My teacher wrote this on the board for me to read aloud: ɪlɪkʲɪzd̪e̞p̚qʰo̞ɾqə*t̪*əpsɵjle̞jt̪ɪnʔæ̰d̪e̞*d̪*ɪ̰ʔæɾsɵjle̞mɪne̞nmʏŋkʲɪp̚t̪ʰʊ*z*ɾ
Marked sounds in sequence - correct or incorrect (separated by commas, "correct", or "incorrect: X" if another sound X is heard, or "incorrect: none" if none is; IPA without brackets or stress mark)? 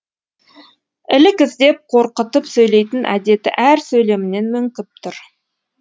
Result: correct, incorrect: t̪, incorrect: none